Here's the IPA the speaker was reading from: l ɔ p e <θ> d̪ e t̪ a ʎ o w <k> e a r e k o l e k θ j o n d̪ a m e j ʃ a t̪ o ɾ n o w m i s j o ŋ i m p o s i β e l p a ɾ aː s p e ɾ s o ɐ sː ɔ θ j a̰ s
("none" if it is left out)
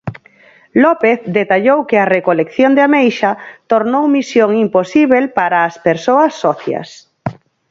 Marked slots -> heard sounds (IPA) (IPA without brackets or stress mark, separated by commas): θ, k